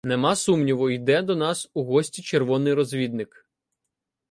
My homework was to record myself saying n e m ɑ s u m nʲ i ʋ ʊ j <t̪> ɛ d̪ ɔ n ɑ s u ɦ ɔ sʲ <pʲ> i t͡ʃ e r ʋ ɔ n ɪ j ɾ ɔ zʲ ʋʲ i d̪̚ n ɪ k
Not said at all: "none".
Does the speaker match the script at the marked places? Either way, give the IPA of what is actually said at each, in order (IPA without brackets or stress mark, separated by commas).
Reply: d̪, tʲ